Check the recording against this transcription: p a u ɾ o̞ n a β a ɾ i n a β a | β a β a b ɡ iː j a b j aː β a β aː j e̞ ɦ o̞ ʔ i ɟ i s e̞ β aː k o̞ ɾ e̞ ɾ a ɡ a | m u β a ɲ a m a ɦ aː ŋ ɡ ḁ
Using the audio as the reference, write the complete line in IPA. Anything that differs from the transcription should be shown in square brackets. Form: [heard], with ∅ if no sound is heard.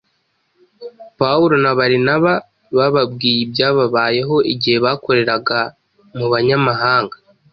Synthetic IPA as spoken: p a u ɾ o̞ n a β a ɾ i n a β a | β a β a b ɡ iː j [i] b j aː β a β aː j e̞ ɦ o̞ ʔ i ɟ i [h] e̞ β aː k o̞ ɾ e̞ ɾ a ɡ a | m u β a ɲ a m a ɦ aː ŋ ɡ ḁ